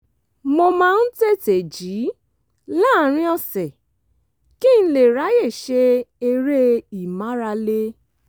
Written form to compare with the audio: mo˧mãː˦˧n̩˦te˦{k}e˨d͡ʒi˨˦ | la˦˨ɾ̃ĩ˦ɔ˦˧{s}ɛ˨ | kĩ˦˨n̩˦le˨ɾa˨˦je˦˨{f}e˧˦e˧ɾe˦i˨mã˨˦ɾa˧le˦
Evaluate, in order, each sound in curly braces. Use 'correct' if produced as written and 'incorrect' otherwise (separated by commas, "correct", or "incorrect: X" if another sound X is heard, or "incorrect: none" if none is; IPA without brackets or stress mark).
incorrect: t, correct, incorrect: ʃ